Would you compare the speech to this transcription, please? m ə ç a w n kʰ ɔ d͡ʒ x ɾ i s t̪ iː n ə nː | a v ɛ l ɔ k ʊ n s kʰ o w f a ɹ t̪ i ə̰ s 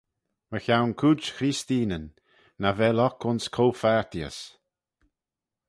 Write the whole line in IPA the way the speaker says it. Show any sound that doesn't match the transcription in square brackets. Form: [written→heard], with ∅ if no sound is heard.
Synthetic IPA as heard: m ə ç a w n kʰ [ɔ→u] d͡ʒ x ɾ i s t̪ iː n ə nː | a v ɛ l ɔ k ʊ n s kʰ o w f a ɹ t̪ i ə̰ s

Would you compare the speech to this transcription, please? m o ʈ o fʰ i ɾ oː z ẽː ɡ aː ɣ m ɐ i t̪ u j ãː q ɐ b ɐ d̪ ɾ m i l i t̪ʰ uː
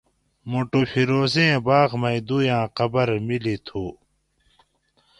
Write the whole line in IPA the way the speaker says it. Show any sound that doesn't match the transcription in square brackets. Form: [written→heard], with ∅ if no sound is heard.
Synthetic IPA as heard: m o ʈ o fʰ i ɾ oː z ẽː [ɡ→b] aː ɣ m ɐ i [t̪→d̪] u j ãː q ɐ b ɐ [d̪→∅] ɾ m i l i t̪ʰ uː

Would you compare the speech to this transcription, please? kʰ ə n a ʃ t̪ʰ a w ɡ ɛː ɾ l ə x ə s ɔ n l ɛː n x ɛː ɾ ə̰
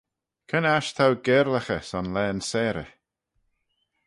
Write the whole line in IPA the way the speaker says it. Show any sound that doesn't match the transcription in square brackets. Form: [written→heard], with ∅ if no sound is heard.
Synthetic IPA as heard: kʰ ə n a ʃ t̪ʰ a w ɡ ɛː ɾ l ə x ə s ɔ n l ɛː n [x→s] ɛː ɾ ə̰

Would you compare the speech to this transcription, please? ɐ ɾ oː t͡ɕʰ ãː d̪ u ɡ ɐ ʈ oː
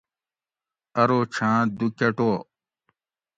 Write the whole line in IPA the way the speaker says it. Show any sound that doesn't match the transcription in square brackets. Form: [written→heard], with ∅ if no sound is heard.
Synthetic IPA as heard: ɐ ɾ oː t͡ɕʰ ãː d̪ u [ɡ→k] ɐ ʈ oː

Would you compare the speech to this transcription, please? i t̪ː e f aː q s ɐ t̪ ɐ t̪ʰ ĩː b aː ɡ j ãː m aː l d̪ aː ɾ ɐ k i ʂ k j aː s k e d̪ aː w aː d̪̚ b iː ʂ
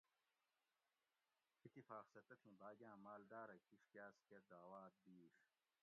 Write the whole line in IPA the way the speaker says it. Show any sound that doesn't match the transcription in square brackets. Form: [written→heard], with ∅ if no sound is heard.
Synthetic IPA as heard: i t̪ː [e→i] f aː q s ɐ t̪ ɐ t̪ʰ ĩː b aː ɡ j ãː m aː l d̪ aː ɾ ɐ k i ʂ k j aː s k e d̪ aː w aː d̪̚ b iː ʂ

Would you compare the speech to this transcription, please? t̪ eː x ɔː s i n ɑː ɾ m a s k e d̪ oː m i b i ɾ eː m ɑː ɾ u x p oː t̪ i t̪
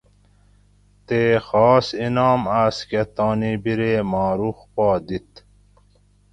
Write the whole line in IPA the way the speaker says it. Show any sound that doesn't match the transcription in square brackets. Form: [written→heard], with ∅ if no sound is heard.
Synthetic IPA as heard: t̪ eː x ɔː s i n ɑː [ɾ→∅] m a s k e [d̪→t̪] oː [m→n] i b i ɾ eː m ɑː ɾ u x p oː [t̪→d̪] i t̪

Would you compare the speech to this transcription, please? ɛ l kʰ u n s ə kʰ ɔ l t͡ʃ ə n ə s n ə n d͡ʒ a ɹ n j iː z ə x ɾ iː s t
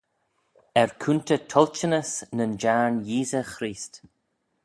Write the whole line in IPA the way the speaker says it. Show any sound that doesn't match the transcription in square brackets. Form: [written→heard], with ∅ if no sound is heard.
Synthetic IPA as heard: ɛ [l→ɹ] kʰ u n [s→t] ə [kʰ→tʰ] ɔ l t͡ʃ ə n ə s n ə n d͡ʒ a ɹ n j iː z ə x ɾ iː s t

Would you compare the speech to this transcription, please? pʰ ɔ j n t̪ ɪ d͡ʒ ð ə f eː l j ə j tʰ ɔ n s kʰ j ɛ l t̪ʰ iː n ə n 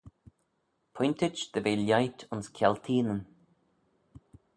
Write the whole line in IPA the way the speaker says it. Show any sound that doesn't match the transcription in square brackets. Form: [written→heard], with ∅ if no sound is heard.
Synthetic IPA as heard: pʰ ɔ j n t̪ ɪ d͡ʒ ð ə [f→v] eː l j [ə→a] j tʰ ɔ n s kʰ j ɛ l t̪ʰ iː n ə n

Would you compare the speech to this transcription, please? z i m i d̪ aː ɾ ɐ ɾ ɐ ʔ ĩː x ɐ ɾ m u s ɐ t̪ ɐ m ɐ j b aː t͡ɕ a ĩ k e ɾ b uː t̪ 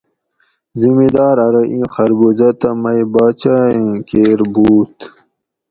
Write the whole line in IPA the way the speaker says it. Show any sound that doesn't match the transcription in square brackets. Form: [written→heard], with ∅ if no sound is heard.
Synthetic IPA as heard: z i m i d̪ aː ɾ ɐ ɾ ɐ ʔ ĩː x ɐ ɾ [m→b] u [s→z] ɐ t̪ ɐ m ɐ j b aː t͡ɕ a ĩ k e ɾ b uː t̪

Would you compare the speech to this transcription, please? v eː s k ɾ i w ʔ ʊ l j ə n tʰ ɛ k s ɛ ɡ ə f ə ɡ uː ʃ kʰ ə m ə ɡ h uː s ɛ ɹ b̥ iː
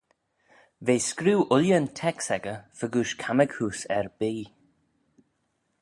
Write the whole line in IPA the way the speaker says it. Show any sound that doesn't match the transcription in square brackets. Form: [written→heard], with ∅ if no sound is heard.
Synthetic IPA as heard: v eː s k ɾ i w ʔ ʊ l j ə n tʰ ɛ k s ɛ ɡ ə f ə ɡ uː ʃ kʰ [ə→a] m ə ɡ h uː s ɛ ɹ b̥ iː

